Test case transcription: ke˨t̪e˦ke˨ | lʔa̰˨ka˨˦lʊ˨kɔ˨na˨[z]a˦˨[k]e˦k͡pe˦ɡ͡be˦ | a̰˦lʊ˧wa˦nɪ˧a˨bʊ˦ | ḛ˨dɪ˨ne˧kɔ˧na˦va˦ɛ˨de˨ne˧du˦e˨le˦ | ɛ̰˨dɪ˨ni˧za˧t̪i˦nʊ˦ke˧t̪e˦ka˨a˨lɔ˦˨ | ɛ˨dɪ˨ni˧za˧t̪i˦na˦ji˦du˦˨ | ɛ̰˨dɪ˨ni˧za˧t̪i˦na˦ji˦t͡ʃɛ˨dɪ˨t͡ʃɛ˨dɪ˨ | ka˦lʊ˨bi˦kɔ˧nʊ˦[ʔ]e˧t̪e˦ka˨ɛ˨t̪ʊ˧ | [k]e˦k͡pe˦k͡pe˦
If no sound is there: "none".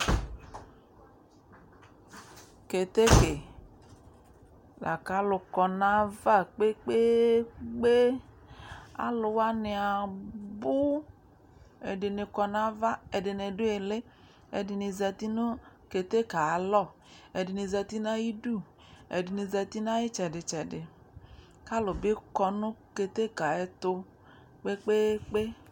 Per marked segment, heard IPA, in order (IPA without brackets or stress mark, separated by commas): v, k͡p, k, k͡p